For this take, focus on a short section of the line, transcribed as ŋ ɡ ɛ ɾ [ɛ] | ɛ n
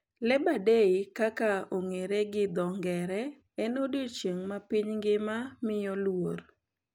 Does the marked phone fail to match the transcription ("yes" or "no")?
no